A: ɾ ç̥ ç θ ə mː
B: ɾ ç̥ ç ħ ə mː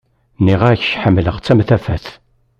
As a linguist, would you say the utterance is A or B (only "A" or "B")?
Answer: B